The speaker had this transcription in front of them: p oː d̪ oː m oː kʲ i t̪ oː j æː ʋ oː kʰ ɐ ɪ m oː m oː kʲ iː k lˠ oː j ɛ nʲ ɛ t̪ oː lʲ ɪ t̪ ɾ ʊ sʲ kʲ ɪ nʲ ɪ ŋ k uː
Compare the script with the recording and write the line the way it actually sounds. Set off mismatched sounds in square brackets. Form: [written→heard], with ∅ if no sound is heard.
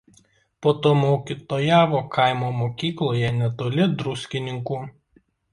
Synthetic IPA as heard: p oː [d̪→t̪] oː m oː kʲ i t̪ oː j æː ʋ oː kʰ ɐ ɪ m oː m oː kʲ iː k lˠ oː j ɛ nʲ ɛ t̪ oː lʲ ɪ [t̪→d̪] ɾ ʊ sʲ kʲ ɪ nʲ ɪ ŋ k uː